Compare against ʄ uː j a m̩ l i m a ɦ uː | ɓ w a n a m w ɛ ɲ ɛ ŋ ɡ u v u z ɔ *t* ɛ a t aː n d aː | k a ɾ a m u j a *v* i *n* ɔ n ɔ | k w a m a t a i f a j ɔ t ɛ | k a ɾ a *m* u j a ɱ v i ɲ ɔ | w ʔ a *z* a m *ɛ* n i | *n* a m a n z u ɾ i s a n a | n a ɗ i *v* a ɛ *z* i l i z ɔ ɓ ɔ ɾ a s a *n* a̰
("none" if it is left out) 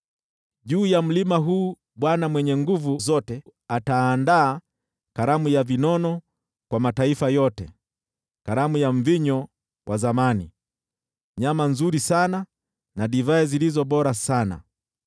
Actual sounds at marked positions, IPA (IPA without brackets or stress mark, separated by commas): t, v, n, m, z, a, ɲ, v, z, n